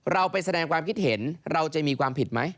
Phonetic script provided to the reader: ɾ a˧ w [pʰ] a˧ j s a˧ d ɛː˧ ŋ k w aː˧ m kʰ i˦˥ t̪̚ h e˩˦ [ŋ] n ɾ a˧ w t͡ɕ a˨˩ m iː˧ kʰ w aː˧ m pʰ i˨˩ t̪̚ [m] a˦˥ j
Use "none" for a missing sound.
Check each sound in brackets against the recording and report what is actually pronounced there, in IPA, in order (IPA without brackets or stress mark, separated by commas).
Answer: p, none, m